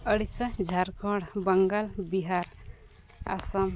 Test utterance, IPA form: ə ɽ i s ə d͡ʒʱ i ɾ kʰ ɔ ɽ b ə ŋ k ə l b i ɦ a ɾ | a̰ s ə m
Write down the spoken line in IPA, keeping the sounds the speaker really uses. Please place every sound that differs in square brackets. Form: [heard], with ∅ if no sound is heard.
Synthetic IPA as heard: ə ɽ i s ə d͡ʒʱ [a] ɾ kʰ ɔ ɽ b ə ŋ [ɡ] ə l b i ɦ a ɾ | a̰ s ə m